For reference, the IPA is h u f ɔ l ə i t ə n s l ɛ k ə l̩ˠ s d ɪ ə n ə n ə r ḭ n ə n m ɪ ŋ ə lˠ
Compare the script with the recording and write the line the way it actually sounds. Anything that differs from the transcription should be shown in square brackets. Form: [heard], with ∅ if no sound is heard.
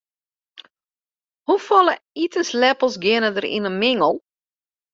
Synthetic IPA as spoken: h u f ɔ l ə i t ə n s l ɛ [p] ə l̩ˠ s [ɡ] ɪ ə n ə [d] ə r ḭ n ə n m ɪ ŋ ə lˠ